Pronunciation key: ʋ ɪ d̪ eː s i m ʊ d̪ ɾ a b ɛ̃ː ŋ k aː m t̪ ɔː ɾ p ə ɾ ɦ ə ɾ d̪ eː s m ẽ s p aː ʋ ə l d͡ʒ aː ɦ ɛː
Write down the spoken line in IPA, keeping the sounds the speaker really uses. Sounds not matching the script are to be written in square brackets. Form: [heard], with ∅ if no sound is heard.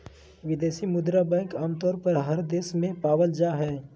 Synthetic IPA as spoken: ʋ ɪ d̪ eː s i m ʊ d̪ ɾ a b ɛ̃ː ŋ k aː m t̪ ɔː ɾ p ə ɾ ɦ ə ɾ d̪ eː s m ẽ [∅] p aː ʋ ə l d͡ʒ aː ɦ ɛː